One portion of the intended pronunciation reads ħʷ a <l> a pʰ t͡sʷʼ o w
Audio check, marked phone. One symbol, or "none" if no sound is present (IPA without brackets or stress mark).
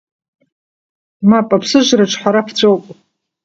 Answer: ɾ